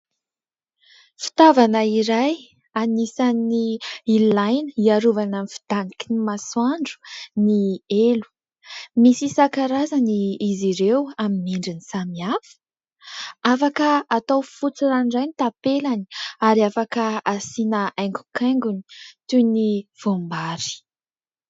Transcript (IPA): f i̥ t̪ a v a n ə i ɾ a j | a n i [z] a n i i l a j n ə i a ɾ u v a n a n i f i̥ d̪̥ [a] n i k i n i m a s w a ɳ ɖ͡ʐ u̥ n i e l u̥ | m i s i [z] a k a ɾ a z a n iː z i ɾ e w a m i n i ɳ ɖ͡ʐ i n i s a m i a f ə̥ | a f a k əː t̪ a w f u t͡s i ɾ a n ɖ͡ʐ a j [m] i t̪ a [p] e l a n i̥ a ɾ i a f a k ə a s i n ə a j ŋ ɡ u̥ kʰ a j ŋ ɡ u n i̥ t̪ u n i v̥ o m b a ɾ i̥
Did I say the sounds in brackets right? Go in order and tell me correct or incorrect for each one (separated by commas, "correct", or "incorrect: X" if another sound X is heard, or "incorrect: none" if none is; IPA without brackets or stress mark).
incorrect: s, correct, incorrect: s, incorrect: n, correct